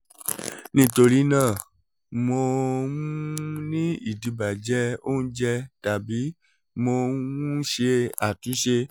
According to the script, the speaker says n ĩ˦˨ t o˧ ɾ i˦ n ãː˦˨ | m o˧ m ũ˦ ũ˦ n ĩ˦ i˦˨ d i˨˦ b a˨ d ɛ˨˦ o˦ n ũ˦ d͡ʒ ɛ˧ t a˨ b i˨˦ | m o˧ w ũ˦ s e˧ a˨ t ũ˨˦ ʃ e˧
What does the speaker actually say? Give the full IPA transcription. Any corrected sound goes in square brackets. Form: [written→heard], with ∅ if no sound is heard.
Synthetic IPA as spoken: n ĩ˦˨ t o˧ ɾ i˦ n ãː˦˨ | m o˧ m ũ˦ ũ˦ n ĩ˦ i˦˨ d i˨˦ b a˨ [d→d͡ʒ] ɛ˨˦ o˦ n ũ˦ d͡ʒ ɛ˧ t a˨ b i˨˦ | m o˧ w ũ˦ [s→ʃ] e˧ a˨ t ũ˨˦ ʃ e˧